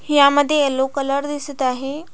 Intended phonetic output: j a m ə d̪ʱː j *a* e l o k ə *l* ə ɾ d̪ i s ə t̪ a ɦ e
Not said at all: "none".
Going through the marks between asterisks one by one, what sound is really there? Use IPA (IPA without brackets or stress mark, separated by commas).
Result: e, l